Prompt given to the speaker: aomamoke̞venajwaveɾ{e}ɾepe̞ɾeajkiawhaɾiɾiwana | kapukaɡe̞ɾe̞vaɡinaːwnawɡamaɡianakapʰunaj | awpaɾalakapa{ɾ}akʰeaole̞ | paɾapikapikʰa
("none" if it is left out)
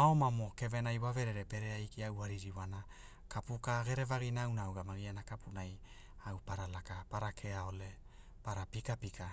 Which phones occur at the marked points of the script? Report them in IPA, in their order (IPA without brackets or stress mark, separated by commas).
e, ɾ